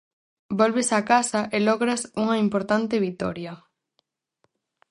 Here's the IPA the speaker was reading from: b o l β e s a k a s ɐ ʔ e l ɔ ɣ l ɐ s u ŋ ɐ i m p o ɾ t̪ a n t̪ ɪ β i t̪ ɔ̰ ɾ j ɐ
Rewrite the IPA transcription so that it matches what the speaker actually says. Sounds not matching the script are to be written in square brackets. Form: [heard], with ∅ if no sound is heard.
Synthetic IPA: b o l β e s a k a s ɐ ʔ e l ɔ ɣ [ɾ] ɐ s u ŋ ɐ i m p o ɾ t̪ a n t̪ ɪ β i t̪ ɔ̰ ɾ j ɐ

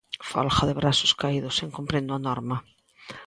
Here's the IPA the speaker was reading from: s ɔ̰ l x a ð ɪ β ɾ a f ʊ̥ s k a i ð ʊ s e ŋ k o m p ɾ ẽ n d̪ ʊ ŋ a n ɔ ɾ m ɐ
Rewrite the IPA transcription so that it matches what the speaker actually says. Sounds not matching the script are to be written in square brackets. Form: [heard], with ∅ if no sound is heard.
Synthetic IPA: [f] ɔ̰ l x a ð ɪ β ɾ a [s] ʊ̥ s k a i ð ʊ s e ŋ k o m p ɾ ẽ n d̪ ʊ [∅] a n ɔ ɾ m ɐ

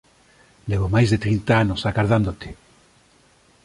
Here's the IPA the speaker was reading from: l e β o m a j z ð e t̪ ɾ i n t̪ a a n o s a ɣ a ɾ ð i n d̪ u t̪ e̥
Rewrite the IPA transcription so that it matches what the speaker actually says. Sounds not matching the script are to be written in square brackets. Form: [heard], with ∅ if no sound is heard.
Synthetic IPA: l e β o m a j z ð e t̪ ɾ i n t̪ a a n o s a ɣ a ɾ ð [a] n d̪ [o] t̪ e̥

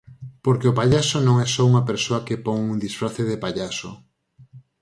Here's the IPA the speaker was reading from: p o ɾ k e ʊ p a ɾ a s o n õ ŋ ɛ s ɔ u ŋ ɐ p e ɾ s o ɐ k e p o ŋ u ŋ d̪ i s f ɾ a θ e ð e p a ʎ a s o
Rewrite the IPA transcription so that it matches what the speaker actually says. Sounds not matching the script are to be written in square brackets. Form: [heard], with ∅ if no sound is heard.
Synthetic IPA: p o ɾ k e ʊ p a [ʎ] a s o n õ ŋ ɛ s ɔ u ŋ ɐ p e ɾ s o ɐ k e p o ŋ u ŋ d̪ i s f ɾ a θ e ð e p a ʎ a s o

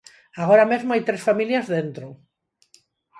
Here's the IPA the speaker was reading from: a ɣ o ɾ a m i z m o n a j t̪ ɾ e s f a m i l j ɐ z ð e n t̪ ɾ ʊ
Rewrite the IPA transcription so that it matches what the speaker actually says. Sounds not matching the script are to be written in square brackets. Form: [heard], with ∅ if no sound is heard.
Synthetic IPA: a ɣ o ɾ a m [e] z m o [∅] a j t̪ ɾ e s f a m i l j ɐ z ð e n t̪ ɾ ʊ

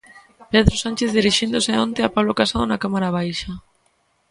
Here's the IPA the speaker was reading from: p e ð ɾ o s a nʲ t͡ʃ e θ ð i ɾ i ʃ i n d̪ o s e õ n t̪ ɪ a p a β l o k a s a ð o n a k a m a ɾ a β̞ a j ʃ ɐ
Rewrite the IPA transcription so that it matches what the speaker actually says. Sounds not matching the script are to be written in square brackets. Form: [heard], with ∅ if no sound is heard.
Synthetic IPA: p e ð ɾ o s a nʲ t͡ʃ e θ ð i ɾ i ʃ i n d̪ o s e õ n t̪ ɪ a p a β l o k a s a ð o n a k a m a ɾ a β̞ a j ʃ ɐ

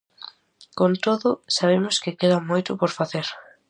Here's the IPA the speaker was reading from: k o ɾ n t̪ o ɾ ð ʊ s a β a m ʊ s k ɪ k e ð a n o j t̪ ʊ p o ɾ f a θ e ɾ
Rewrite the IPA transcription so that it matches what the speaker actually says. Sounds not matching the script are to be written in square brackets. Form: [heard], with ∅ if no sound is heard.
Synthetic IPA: k o [∅] n t̪ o [∅] ð ʊ s a β [e] m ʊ s k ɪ k e ð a [m] o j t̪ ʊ p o ɾ f a θ e ɾ

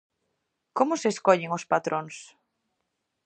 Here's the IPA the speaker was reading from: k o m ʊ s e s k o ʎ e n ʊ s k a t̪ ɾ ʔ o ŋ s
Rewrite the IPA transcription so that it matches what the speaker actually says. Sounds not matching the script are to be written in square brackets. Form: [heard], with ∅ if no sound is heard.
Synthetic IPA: k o m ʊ s e s k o ʎ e [ŋ] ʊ s [p] a t̪ ɾ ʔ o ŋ s

